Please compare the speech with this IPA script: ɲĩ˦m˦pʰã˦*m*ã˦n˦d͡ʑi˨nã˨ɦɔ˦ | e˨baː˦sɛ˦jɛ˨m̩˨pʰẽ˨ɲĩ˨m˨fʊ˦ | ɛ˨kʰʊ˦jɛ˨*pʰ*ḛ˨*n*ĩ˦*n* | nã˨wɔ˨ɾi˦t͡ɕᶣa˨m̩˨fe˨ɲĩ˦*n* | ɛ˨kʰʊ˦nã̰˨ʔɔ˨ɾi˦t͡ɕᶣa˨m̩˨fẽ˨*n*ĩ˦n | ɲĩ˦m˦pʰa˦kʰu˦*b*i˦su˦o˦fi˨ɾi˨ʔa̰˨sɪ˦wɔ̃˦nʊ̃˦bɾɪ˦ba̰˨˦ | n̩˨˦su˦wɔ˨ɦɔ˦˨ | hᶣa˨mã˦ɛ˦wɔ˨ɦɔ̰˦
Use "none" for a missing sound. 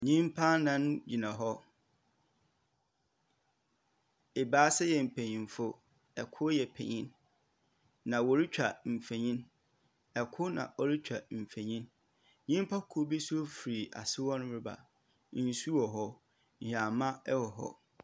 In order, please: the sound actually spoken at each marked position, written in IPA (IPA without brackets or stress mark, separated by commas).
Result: n, pʰ, ɲ, n, n, ɲ, b